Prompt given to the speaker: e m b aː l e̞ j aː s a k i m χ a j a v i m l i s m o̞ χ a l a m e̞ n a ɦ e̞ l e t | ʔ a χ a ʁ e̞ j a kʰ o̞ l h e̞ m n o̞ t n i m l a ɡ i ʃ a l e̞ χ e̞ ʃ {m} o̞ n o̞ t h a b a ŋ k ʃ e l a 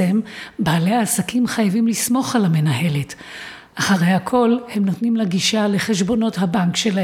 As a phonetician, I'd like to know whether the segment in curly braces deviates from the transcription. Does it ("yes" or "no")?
yes